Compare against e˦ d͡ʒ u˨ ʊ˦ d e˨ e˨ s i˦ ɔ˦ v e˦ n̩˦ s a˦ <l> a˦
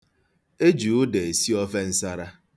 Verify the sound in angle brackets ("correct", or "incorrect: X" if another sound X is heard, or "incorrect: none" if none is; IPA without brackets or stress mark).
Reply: incorrect: ɾ